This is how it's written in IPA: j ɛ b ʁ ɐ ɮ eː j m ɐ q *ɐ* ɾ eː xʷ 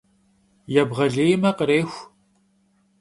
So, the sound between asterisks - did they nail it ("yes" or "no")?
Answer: no